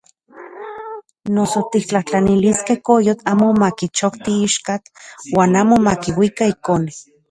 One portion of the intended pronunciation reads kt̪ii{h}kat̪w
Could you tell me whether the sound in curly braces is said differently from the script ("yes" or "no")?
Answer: yes